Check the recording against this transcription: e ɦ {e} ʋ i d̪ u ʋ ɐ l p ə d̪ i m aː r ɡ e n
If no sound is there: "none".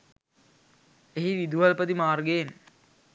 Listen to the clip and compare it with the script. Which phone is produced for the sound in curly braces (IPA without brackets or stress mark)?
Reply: i